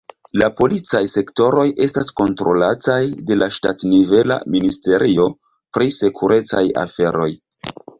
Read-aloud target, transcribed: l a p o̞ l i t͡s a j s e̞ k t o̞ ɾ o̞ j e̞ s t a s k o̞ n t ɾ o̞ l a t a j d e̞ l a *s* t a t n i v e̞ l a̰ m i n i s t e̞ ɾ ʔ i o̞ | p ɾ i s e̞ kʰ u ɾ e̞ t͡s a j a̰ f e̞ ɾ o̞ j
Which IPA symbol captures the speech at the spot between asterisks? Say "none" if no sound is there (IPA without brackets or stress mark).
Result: ʃ